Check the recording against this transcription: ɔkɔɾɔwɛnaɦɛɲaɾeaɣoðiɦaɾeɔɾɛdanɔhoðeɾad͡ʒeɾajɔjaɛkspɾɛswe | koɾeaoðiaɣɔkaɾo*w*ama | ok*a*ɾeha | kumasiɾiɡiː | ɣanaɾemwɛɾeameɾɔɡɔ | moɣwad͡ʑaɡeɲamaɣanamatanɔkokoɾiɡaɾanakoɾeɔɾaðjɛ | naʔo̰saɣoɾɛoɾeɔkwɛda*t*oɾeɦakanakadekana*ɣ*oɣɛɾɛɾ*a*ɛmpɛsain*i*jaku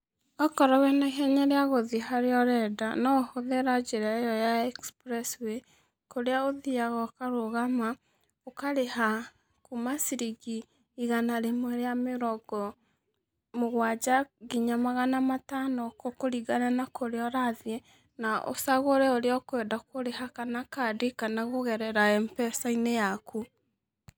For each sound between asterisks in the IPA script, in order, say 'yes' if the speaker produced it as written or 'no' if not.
no, yes, no, yes, yes, no

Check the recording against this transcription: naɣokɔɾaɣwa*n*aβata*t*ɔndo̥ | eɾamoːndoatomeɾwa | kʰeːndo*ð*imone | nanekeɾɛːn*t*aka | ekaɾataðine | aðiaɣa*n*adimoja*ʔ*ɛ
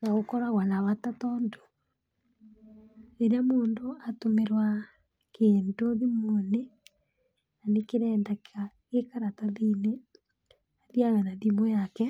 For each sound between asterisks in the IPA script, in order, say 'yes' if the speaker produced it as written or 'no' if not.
yes, yes, yes, no, yes, no

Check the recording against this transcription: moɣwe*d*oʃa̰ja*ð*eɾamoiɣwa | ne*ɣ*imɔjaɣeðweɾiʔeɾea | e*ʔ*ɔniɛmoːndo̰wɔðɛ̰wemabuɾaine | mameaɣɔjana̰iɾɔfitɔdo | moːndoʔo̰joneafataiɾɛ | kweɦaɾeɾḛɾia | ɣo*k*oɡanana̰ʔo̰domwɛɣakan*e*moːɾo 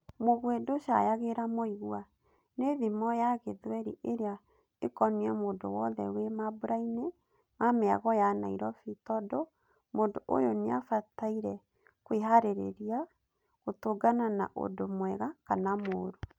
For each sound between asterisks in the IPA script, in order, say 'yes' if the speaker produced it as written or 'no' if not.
yes, no, no, no, no, no

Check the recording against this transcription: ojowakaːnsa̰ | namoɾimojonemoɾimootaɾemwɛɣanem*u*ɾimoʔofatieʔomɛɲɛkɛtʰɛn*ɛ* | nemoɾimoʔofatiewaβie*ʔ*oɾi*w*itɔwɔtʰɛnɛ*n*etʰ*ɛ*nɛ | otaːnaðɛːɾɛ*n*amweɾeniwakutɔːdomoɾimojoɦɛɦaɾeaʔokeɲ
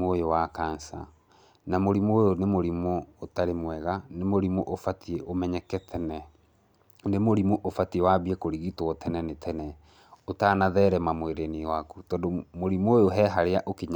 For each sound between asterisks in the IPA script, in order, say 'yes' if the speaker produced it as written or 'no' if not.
no, yes, no, no, yes, yes, no

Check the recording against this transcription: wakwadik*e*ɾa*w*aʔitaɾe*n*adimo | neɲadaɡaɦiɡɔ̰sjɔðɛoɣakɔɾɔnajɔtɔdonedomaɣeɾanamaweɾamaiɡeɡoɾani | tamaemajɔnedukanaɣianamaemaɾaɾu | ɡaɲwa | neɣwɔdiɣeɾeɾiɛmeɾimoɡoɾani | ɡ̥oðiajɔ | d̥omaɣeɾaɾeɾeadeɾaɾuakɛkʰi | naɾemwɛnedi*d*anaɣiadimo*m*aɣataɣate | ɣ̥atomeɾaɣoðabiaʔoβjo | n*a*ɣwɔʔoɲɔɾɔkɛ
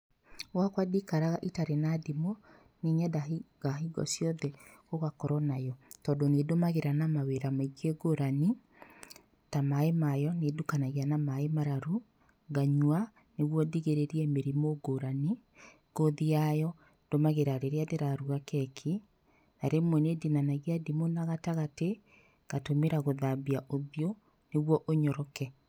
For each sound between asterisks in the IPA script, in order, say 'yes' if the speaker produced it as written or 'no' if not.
no, no, yes, no, no, no

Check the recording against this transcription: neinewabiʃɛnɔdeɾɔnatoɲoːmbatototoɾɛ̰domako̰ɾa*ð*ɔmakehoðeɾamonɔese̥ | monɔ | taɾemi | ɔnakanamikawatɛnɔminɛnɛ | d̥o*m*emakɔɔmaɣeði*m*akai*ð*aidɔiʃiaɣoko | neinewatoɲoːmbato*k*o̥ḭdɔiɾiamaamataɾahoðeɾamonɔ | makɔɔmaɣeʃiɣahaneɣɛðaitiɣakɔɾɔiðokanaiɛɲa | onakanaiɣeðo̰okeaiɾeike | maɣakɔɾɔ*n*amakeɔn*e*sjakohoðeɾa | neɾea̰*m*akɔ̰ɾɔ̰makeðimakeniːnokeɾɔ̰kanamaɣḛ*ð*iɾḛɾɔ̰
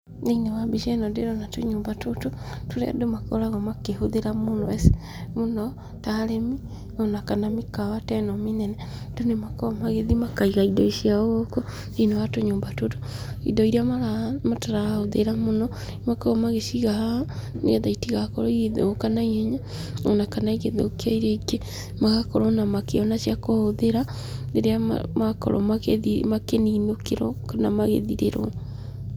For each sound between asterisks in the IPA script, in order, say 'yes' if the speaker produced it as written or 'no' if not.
no, no, yes, no, no, yes, no, yes, yes

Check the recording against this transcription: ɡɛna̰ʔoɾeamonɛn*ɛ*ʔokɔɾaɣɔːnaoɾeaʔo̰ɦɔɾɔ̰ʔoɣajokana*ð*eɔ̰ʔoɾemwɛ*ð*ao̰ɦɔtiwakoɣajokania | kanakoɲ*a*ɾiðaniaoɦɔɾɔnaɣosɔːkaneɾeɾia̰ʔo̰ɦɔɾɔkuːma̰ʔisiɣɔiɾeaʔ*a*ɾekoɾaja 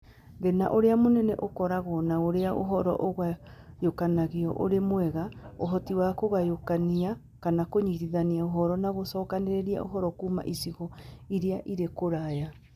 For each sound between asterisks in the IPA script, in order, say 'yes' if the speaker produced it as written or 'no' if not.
yes, no, no, no, no

